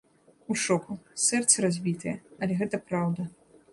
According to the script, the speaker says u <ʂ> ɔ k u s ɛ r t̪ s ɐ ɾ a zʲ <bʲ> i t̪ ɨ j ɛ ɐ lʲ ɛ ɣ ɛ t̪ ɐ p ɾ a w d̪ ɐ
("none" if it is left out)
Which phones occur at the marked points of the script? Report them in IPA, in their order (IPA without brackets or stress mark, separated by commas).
ʂ, bʲ